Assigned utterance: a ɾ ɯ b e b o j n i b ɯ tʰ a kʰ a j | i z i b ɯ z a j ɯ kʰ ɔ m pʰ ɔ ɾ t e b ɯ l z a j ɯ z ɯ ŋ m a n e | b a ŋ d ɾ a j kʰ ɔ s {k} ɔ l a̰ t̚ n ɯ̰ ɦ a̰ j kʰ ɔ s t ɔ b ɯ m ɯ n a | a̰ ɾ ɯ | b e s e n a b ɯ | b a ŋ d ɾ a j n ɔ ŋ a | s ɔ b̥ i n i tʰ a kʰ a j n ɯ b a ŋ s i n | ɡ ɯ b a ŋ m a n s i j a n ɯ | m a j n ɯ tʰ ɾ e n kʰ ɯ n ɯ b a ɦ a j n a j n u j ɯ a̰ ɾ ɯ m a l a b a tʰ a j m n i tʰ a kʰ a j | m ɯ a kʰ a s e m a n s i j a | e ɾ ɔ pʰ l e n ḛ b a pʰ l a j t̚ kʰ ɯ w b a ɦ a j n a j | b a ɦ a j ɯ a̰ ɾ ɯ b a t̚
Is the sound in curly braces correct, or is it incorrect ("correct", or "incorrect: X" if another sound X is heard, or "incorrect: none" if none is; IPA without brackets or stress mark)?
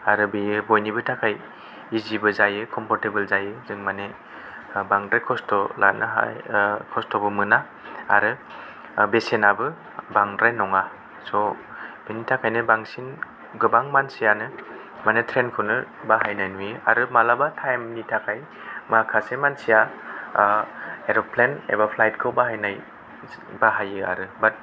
incorrect: t